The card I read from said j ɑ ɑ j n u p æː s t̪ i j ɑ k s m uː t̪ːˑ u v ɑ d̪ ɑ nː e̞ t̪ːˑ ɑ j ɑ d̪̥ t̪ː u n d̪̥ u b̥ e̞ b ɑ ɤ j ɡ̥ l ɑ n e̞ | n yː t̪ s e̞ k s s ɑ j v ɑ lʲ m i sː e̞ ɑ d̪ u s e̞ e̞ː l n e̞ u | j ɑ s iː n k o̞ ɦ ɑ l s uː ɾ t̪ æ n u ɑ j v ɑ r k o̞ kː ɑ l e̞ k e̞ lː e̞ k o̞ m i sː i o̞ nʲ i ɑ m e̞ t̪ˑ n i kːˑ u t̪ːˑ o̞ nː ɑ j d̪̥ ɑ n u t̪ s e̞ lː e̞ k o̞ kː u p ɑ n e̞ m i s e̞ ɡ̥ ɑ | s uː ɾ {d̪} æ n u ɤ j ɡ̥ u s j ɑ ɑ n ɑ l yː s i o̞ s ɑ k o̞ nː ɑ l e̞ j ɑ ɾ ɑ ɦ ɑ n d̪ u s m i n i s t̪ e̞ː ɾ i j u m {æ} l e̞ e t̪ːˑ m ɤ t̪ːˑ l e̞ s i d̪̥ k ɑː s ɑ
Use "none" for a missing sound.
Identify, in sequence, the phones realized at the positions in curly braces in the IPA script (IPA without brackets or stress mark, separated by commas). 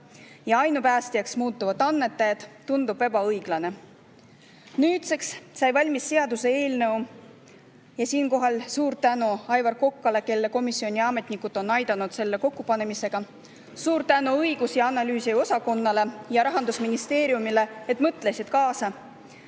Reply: t̪, i